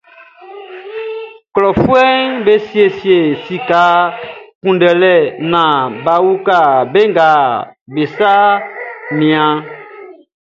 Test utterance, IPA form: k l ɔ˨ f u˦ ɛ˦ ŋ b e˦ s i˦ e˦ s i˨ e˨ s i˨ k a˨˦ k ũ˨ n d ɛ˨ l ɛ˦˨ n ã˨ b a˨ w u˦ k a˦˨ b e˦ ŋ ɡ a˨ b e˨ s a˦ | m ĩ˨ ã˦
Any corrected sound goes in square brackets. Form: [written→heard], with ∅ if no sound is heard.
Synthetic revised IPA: k l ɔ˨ f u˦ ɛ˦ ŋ b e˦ s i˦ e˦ s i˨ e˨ s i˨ k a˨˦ k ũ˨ n d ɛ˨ l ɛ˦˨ n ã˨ b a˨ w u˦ k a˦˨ b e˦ ŋ ɡ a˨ b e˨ s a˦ | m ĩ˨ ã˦